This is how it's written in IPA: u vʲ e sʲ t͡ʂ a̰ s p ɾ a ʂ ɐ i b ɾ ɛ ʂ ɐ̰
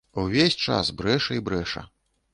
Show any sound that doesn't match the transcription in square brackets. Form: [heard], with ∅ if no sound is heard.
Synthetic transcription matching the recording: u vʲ e sʲ t͡ʂ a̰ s [b] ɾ [ɛ] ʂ ɐ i b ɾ ɛ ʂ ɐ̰